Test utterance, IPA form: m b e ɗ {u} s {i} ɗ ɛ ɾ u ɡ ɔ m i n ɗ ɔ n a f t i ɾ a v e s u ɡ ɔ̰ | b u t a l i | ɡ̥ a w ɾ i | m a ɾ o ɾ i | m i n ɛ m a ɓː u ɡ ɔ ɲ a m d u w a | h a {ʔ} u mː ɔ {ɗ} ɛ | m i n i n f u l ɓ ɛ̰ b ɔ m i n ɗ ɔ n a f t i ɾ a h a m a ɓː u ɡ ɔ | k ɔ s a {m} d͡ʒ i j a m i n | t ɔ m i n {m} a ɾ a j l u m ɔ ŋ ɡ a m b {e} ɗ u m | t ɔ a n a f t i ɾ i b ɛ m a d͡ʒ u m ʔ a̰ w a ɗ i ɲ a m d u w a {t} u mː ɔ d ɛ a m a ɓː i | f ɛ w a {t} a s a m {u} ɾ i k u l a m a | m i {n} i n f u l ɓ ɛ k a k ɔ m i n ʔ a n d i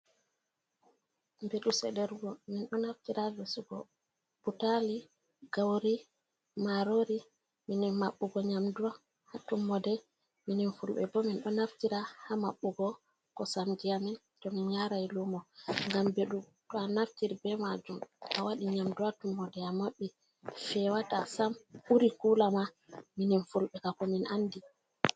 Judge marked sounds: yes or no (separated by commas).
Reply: yes, no, no, no, yes, no, yes, yes, yes, yes, yes